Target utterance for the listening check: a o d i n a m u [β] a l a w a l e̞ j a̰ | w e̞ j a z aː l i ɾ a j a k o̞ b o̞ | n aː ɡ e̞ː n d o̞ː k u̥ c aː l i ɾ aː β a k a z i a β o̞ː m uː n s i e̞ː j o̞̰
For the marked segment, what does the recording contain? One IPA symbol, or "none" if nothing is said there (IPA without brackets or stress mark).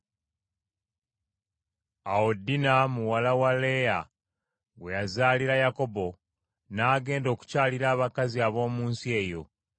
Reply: w